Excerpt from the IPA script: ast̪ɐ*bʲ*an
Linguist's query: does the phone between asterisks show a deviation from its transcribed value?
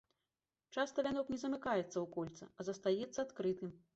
yes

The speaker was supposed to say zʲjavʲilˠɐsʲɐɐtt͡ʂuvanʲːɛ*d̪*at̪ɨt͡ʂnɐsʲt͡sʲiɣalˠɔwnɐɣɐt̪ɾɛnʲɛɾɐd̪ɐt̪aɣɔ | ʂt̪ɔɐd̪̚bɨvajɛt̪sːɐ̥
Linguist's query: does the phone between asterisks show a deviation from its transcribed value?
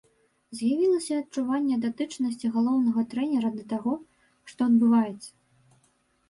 no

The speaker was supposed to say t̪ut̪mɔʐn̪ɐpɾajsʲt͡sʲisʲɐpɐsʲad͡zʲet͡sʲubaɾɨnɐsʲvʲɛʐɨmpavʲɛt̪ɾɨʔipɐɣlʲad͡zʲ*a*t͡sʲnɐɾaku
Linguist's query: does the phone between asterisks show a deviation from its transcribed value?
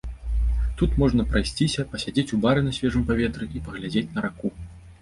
yes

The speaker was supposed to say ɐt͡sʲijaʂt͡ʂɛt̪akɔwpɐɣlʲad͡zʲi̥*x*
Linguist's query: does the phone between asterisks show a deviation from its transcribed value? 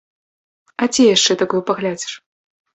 yes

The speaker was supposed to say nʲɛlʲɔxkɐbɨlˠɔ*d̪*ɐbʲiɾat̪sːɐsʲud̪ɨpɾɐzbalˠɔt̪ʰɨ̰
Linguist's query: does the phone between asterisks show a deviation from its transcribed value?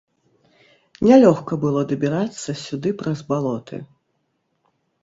no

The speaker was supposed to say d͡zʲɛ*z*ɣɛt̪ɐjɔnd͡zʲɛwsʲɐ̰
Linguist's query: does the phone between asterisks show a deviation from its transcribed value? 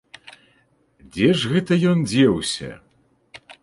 yes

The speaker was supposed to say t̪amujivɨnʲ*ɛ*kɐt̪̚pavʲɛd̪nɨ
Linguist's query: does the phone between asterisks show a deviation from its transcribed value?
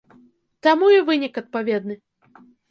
yes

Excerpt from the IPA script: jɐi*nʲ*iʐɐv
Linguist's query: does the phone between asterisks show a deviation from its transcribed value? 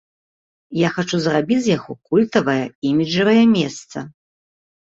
yes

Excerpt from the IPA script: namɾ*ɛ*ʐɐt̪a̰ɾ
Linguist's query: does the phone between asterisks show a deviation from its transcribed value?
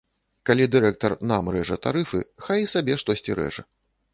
no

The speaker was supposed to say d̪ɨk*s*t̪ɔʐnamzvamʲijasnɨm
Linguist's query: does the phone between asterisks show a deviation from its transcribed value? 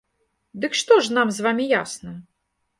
yes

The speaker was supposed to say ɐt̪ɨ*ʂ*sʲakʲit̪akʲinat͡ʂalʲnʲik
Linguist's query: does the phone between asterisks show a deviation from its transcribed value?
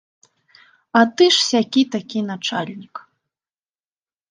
no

